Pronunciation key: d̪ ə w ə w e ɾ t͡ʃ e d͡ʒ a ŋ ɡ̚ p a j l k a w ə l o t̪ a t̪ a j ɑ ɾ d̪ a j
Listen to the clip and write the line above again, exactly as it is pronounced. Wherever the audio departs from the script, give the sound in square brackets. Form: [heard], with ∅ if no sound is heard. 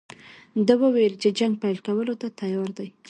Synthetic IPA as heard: d̪ ə w ə w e [l] t͡ʃ e d͡ʒ a ŋ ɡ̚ p a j l k a w ə l o t̪ a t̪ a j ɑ ɾ d̪ a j